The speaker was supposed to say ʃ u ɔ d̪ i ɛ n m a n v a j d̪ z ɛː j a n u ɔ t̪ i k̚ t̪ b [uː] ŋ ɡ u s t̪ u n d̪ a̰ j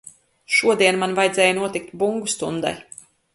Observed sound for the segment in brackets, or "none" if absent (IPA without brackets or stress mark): u